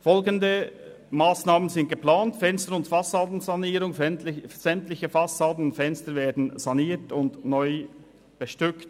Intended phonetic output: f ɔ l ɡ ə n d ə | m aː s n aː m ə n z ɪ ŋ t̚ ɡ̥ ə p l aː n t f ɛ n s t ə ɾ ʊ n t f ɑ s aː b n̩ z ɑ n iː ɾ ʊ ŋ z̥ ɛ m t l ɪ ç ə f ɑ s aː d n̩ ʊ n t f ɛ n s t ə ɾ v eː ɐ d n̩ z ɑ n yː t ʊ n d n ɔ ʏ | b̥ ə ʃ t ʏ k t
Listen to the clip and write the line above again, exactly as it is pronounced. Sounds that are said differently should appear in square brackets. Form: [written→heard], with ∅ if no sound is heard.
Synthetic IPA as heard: f ɔ l ɡ ə n d ə | m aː s n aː m ə n z ɪ [ŋ→n] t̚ ɡ̥ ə p l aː n t f ɛ n s t ə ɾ ʊ n t f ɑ s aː [b→d] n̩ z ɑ n iː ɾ ʊ ŋ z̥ ɛ m t l ɪ ç ə f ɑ s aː d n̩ ʊ n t f ɛ n s t ə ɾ v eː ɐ d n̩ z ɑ n [yː→iː] t ʊ n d n ɔ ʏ | b̥ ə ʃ t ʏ k t

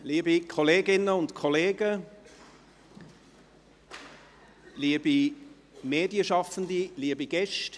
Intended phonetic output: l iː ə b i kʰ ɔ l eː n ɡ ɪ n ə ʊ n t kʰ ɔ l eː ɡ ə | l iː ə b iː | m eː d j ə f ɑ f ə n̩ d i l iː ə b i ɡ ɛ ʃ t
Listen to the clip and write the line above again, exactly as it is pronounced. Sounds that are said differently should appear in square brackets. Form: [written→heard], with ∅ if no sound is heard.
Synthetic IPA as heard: l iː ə b i kʰ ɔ l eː [n→∅] ɡ ɪ n ə ʊ n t kʰ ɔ l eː ɡ ə | l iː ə b [iː→i] | m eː d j ə [f→ʃ] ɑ f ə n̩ d i l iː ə b i ɡ ɛ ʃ t

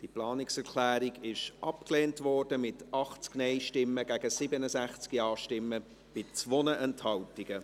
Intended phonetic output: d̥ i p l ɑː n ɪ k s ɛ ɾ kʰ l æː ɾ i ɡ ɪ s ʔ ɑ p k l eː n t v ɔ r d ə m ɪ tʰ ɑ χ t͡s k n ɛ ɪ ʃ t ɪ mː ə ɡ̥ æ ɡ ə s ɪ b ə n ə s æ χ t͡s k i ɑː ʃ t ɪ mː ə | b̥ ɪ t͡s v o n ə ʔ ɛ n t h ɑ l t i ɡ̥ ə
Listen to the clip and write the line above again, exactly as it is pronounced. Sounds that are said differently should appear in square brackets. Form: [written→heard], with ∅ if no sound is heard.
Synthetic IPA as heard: d̥ i p l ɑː n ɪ k s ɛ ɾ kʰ l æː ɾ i ɡ ɪ [s→ʃ] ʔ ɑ p k l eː n t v ɔ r d ə m ɪ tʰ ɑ χ t͡s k n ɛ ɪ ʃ t ɪ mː ə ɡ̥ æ ɡ ə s ɪ b ə n ə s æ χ t͡s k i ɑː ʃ t ɪ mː ə | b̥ ɪ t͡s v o n ə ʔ ɛ n t h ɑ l t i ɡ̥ ə

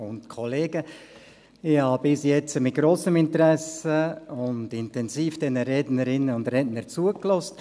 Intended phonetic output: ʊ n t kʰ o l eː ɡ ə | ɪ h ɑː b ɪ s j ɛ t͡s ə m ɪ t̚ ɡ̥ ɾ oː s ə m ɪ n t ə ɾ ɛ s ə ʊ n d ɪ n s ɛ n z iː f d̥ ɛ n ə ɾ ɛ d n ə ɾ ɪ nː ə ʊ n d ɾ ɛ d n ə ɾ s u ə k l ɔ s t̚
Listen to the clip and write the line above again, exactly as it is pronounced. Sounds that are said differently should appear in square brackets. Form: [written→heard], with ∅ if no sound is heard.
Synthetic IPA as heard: ʊ n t kʰ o l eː ɡ ə | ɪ h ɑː b ɪ s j ɛ t͡s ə m ɪ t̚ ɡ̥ ɾ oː s ə m ɪ n t ə ɾ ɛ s ə ʊ n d ɪ n [s→t] ɛ n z iː f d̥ ɛ n ə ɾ ɛ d n ə ɾ ɪ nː ə ʊ n d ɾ ɛ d n ə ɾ [s→t͡s] u ə k l ɔ s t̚

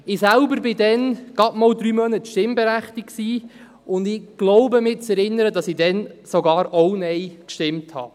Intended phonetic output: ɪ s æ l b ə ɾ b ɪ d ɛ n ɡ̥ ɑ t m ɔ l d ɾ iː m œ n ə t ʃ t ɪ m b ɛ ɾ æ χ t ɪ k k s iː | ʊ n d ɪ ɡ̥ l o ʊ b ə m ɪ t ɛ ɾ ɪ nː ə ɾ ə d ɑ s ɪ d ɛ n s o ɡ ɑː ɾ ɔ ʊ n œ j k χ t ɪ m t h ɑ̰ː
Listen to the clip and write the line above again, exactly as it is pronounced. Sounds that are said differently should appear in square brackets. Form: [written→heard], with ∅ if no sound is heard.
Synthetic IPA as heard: ɪ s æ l b ə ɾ b ɪ d ɛ n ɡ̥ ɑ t m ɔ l d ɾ [iː→yː] m œ n ə t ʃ t ɪ m b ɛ ɾ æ χ t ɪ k k s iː | ʊ n d ɪ ɡ̥ l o ʊ b ə m ɪ [t→t͡s] ɛ ɾ ɪ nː ə ɾ ə d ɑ s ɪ d ɛ n s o ɡ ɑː ɾ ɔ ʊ n [œ→ɛ] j k [χ→ʃ] t ɪ m t h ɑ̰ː

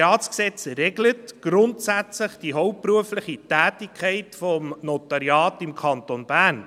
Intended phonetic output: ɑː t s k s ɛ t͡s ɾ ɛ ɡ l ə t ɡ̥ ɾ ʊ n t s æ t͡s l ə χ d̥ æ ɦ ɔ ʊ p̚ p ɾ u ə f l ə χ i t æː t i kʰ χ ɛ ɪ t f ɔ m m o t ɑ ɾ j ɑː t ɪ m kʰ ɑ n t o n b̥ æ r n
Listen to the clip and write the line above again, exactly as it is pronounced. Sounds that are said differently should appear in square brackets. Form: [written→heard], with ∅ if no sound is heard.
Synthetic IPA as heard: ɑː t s k s ɛ t͡s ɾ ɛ ɡ l ə t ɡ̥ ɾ ʊ n t s æ t͡s l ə χ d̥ [æ→i] ɦ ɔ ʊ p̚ p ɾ u ə f l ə χ i t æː t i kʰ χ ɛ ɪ t f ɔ m [m→n] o t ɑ ɾ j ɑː t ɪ m kʰ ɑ n t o n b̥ æ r n

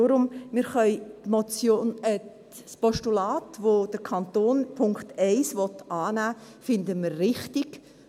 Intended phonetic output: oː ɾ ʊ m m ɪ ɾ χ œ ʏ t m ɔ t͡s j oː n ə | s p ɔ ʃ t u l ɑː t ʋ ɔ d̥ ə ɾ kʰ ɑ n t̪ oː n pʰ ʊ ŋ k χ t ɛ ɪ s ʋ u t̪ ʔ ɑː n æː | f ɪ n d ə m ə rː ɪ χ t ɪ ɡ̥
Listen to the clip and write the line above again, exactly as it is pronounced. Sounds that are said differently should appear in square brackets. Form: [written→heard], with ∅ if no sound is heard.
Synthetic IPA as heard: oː ɾ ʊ m m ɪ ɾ χ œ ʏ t m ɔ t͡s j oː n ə | s p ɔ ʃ t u l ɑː t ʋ [ɔ→o] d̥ ə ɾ kʰ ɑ n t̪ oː n pʰ ʊ ŋ k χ t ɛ ɪ s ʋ [u→ɔ] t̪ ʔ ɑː n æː | f ɪ n d ə m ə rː ɪ χ t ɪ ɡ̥

